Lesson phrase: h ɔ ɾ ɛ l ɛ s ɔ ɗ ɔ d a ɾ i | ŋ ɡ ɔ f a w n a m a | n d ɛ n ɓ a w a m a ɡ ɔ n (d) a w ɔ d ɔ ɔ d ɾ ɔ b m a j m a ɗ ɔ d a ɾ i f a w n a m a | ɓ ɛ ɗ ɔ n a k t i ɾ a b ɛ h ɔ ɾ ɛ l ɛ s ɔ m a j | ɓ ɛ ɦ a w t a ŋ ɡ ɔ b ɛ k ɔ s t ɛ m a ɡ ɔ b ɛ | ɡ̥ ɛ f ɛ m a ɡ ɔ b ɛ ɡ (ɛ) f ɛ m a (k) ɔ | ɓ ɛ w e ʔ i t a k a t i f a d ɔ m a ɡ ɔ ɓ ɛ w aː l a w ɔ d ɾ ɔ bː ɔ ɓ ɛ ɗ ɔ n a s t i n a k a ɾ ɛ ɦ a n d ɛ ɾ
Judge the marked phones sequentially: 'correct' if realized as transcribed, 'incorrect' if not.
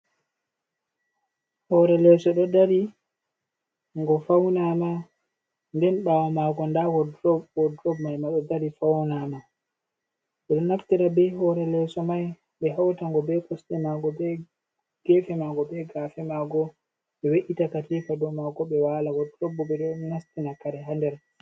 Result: correct, incorrect, incorrect

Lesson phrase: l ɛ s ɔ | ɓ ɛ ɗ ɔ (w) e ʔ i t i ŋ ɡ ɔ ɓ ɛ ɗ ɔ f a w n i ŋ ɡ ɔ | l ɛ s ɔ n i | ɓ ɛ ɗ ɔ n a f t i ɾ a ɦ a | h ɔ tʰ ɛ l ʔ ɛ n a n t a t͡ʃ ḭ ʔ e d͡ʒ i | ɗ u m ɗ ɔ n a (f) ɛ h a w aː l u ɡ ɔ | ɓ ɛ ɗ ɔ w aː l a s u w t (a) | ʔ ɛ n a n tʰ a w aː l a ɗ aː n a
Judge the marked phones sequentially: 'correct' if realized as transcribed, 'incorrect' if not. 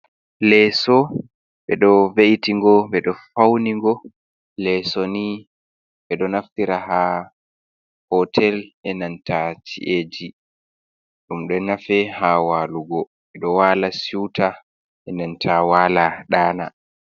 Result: incorrect, correct, correct

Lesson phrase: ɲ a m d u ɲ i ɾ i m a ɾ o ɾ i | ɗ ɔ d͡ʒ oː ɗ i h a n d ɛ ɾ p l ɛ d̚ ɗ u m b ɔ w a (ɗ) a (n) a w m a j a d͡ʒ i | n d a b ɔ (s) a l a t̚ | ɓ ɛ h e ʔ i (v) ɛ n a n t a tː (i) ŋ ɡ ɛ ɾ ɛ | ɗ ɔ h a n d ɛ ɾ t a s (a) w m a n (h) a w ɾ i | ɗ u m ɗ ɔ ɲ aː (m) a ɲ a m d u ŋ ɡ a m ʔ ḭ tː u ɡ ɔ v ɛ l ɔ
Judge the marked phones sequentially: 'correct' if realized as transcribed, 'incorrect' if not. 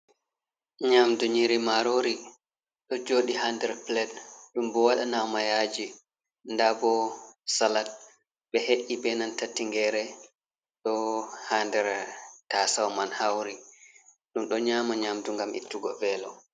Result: correct, correct, correct, incorrect, correct, correct, correct, correct

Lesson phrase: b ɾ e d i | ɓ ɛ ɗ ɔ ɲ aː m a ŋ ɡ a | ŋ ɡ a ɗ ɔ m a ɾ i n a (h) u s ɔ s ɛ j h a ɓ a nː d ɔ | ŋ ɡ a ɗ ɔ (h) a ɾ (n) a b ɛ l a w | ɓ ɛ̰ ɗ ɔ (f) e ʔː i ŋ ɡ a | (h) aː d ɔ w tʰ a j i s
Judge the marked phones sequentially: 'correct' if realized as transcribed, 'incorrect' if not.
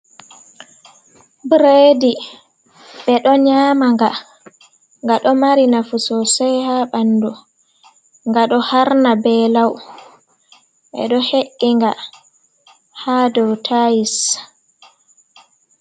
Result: incorrect, correct, correct, incorrect, correct

